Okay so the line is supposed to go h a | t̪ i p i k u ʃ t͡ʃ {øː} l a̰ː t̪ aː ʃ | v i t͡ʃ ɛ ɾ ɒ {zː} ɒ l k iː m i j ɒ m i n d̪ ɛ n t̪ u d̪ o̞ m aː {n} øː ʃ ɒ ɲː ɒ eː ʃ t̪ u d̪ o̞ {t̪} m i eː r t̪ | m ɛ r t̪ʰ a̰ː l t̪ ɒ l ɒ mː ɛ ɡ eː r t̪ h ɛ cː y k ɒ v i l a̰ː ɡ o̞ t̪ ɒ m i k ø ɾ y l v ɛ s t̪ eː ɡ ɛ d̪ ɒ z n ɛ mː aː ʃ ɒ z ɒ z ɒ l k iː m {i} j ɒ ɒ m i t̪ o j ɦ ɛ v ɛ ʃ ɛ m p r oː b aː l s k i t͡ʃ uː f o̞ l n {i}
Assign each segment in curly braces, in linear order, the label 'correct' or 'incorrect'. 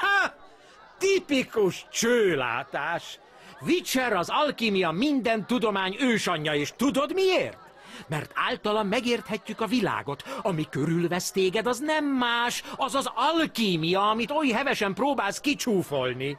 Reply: correct, incorrect: z, incorrect: ɲ, incorrect: d̪, correct, correct

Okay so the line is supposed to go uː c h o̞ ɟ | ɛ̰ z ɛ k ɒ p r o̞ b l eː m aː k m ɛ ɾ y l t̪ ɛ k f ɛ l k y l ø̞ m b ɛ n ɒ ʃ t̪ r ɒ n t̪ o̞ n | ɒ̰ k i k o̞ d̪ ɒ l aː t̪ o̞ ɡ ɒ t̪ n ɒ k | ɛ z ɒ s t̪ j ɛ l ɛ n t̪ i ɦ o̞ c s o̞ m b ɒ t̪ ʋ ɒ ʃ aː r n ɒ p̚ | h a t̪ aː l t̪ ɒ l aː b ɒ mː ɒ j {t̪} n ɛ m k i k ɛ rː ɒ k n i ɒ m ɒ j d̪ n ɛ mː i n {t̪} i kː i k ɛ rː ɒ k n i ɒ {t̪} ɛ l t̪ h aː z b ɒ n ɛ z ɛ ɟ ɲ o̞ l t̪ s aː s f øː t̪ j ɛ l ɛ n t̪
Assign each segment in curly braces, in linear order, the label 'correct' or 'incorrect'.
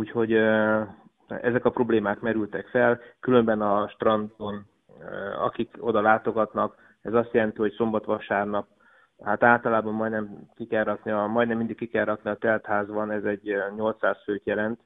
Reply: incorrect: d̪, incorrect: d̪, correct

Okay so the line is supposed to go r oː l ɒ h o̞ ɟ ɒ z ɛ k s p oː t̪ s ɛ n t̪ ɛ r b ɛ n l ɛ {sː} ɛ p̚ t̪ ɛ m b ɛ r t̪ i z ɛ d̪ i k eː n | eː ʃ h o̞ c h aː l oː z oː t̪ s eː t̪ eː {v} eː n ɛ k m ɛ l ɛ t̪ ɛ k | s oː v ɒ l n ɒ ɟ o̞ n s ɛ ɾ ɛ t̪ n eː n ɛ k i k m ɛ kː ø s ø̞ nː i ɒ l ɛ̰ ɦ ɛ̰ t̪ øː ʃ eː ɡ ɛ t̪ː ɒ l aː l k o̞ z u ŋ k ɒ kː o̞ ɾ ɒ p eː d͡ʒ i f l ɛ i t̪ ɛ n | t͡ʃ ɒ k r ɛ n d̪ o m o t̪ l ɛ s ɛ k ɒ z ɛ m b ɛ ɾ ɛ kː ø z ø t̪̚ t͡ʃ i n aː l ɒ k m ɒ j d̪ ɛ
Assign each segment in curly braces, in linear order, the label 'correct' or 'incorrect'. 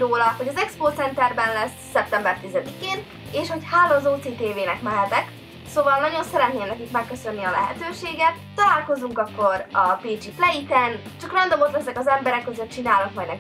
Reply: correct, correct

